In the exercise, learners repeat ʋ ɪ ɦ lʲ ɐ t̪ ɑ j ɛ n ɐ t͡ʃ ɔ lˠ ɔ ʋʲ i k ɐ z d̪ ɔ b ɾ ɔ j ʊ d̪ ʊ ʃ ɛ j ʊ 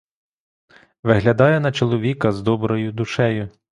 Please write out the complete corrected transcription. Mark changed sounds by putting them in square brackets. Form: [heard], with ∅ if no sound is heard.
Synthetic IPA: ʋ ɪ ɦ lʲ ɐ [d̪] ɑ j ɛ n ɐ t͡ʃ ɔ lˠ ɔ ʋʲ i k ɐ z d̪ ɔ b ɾ ɔ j ʊ d̪ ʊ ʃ ɛ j ʊ